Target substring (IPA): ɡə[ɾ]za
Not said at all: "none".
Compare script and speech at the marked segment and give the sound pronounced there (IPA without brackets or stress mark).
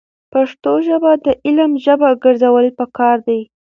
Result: ɾ